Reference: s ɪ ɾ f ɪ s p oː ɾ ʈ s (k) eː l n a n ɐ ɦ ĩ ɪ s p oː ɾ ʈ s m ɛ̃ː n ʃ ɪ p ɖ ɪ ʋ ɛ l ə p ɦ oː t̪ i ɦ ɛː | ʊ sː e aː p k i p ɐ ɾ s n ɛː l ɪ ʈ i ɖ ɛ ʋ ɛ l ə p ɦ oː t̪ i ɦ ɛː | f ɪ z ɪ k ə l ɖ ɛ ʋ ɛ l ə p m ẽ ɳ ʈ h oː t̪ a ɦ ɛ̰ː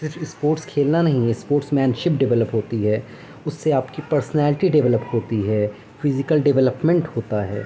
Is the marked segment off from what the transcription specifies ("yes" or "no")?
yes